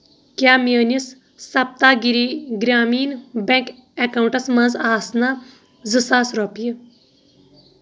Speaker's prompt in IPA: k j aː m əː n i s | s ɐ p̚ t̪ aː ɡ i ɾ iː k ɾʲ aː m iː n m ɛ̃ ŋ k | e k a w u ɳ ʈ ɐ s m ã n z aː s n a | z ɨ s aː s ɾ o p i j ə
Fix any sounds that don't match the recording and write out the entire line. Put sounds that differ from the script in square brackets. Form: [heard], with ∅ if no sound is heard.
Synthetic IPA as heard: k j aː m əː n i s | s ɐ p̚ t̪ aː ɡ i ɾ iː [ɡ] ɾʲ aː m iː n [b] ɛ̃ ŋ k | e k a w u ɳ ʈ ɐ s m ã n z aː s n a | z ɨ s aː s ɾ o p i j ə